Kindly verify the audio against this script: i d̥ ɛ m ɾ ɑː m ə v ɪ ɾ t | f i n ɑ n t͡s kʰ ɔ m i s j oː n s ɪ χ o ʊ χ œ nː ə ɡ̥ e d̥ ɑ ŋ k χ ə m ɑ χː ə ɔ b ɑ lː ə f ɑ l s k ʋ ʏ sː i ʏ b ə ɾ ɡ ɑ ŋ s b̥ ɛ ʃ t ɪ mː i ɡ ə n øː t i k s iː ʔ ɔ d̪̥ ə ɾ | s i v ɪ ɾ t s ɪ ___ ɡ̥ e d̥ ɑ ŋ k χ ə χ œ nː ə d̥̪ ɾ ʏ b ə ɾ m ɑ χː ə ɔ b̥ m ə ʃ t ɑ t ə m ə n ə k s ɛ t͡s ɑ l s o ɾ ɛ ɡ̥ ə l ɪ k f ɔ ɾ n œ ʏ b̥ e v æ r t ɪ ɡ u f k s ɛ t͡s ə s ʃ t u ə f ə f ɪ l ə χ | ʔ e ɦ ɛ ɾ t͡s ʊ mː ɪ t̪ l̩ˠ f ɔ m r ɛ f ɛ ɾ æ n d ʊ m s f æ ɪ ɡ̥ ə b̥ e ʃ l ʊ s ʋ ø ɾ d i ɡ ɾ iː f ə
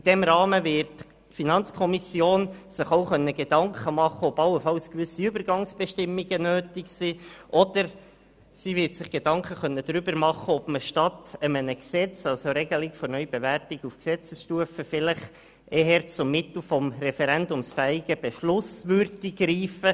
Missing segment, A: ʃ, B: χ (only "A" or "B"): B